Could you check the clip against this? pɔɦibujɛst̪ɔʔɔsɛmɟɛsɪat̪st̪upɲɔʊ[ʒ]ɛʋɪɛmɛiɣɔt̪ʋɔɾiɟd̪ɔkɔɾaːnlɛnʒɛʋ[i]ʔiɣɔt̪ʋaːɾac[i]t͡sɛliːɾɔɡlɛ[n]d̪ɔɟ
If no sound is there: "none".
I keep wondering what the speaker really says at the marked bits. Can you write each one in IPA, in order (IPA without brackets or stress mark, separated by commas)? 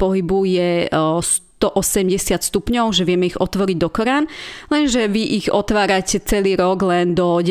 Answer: ʒ, i, ɛ, n